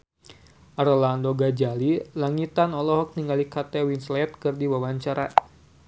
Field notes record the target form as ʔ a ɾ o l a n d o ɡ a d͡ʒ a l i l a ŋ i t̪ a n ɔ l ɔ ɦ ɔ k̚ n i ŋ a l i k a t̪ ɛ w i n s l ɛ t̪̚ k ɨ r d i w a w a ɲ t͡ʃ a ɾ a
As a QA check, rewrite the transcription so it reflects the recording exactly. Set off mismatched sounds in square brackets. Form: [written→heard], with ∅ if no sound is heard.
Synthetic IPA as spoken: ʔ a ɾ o l a n d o ɡ a d͡ʒ a l i l a ŋ i t̪ a n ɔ l ɔ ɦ ɔ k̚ n i ŋ a l i k a t̪ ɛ w i n s l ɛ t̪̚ k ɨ r d i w a w a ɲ t͡ʃ a ɾ a